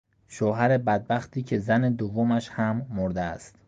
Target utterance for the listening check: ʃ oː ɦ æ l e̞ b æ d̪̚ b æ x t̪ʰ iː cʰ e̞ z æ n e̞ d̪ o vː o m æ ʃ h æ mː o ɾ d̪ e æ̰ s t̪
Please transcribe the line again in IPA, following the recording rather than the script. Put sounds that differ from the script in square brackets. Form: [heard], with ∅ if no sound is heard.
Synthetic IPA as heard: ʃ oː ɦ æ [ɾ] e̞ b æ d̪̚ b æ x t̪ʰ iː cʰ e̞ z æ n e̞ d̪ o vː o m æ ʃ h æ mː o ɾ d̪ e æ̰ s t̪